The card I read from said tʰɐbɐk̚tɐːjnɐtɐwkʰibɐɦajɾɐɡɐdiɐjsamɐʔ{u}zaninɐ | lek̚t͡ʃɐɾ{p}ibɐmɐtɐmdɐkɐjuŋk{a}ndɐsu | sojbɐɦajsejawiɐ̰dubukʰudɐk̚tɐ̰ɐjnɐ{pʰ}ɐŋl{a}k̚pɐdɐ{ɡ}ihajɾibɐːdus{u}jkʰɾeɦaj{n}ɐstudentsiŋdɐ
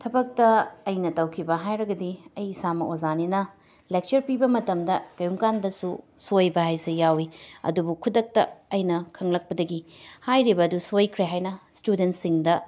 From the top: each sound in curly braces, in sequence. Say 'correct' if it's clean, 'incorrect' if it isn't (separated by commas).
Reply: incorrect, correct, correct, incorrect, incorrect, correct, incorrect, correct